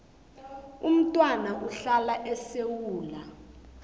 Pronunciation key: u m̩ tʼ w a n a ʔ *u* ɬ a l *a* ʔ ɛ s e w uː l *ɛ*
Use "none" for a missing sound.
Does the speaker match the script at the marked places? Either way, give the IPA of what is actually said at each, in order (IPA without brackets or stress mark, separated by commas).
u, a, a